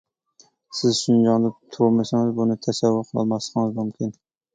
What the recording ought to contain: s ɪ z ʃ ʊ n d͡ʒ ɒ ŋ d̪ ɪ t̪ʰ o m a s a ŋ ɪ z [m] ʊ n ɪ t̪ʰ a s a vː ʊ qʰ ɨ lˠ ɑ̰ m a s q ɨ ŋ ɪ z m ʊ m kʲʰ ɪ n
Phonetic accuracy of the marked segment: incorrect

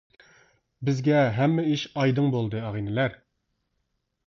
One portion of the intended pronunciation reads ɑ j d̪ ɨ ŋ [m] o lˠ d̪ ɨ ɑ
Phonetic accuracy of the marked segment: incorrect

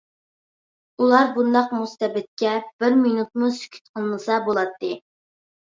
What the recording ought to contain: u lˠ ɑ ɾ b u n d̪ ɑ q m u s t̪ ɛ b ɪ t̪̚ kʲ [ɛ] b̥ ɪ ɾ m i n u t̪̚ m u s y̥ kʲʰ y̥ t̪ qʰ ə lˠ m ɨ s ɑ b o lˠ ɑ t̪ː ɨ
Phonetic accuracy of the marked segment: correct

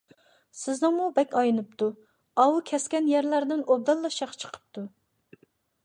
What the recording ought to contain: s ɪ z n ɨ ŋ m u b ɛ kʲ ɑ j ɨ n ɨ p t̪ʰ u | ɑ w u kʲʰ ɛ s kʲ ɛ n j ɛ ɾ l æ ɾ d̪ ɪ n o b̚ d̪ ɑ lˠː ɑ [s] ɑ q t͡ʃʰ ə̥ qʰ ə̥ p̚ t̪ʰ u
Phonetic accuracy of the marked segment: incorrect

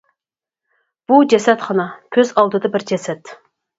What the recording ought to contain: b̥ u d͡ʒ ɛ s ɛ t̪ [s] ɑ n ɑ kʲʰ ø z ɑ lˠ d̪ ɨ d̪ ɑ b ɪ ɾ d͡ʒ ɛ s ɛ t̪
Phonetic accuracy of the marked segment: incorrect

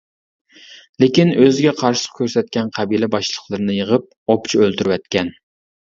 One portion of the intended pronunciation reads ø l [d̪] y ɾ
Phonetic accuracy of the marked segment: incorrect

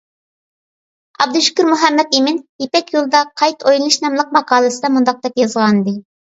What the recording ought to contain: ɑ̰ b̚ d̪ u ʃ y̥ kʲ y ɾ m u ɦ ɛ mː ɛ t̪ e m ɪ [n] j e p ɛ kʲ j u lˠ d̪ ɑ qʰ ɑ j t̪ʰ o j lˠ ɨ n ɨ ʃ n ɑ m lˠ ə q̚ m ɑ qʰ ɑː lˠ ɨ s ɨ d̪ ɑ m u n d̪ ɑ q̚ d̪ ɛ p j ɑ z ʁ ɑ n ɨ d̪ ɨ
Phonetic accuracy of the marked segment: correct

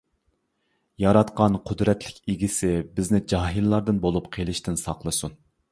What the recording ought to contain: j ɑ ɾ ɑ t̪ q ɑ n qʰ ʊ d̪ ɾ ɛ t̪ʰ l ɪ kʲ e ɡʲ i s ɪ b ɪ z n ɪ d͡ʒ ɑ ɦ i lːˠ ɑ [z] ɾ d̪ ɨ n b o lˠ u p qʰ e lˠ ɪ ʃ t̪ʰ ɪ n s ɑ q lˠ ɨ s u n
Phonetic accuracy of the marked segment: incorrect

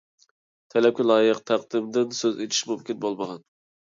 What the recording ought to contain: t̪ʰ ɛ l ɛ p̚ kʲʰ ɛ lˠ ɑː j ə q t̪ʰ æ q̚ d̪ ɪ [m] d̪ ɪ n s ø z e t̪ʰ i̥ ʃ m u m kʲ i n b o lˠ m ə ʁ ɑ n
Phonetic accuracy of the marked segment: correct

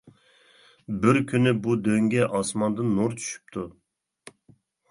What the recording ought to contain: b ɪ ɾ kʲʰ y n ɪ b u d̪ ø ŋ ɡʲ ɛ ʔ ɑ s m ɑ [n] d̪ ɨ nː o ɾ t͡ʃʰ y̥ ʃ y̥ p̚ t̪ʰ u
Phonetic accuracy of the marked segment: correct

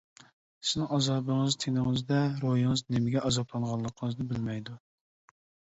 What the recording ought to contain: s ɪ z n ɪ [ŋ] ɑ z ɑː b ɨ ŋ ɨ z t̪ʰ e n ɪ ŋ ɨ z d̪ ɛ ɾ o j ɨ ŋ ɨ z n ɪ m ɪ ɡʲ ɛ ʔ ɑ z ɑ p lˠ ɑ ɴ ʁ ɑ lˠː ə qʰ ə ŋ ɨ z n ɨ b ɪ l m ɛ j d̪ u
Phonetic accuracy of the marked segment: correct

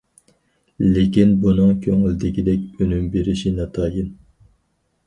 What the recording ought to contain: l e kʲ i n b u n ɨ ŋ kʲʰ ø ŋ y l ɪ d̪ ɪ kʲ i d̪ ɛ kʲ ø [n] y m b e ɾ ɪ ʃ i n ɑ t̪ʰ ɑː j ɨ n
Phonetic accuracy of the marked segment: correct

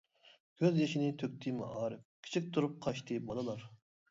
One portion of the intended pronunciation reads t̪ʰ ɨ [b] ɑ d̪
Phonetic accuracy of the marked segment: correct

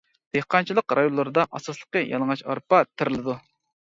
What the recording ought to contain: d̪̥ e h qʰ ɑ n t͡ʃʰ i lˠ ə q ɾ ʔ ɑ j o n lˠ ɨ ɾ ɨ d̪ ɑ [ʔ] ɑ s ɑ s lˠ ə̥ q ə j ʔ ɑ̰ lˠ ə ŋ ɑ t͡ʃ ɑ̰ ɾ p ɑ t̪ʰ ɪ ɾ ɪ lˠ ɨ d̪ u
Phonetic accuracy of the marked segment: correct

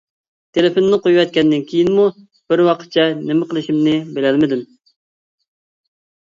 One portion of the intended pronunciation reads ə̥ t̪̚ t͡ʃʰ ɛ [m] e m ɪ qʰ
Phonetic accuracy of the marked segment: incorrect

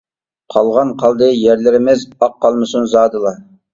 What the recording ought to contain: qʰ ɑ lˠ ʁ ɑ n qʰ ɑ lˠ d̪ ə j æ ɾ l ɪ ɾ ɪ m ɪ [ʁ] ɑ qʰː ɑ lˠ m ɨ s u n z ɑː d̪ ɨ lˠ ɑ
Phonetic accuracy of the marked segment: incorrect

